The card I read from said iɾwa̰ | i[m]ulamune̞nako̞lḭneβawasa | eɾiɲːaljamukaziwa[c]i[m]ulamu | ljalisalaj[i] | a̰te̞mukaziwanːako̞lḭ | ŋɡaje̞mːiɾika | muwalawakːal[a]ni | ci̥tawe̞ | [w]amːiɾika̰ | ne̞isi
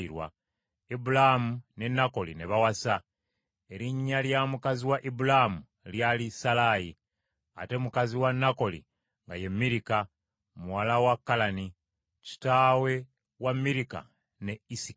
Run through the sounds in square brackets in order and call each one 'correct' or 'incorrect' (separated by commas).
incorrect, incorrect, incorrect, correct, correct, correct